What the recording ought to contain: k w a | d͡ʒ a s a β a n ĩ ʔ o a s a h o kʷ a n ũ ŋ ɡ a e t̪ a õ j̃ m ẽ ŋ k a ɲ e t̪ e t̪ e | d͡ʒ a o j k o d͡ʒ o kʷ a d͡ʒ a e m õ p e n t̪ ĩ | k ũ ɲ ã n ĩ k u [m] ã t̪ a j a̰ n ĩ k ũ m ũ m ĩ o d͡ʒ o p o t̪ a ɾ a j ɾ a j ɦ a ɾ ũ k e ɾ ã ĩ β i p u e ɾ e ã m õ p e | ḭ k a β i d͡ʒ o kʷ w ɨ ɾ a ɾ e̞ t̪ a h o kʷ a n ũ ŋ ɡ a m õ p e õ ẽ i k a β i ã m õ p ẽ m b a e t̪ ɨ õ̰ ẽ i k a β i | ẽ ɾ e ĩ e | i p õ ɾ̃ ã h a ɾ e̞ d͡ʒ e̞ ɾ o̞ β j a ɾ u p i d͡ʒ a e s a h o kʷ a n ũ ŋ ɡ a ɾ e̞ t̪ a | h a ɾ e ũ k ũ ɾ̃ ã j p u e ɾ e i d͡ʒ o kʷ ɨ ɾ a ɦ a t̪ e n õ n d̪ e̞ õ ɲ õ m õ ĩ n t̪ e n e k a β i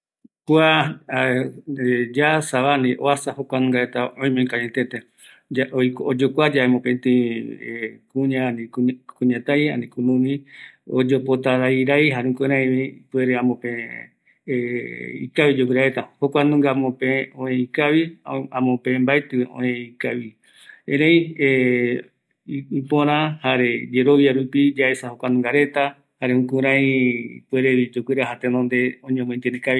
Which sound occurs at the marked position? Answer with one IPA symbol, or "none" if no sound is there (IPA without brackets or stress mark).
ɲ